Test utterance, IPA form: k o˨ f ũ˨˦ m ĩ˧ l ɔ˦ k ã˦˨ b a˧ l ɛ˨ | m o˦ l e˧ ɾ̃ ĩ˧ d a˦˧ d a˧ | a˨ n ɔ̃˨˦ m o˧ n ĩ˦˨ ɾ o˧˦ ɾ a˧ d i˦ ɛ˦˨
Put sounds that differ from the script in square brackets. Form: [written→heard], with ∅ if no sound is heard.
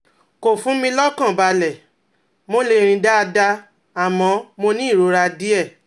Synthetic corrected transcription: k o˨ f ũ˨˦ m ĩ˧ l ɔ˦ k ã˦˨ b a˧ l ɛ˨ | m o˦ l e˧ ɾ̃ ĩ˧ d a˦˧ d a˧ | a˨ [n→m] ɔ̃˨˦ m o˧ n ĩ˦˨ ɾ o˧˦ ɾ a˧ d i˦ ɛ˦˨